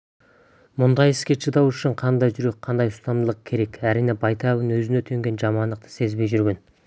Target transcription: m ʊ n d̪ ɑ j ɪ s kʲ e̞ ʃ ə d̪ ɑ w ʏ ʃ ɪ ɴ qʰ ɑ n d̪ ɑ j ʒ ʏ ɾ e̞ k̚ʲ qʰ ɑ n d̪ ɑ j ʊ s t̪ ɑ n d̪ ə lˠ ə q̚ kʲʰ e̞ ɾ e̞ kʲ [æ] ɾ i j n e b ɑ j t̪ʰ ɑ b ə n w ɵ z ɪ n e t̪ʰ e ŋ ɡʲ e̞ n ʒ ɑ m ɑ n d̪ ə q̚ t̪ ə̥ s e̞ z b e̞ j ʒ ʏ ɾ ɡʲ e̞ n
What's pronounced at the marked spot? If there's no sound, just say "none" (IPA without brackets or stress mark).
æ